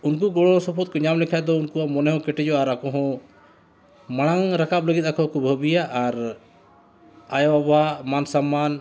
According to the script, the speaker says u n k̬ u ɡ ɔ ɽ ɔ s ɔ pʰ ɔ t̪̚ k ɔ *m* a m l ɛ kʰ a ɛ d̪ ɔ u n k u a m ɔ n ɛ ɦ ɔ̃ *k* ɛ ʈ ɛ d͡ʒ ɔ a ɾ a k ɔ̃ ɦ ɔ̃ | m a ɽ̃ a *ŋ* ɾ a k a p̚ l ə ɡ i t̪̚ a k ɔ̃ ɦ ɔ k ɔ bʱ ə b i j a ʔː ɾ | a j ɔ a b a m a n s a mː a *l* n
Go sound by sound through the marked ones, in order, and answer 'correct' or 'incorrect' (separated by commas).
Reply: incorrect, correct, correct, incorrect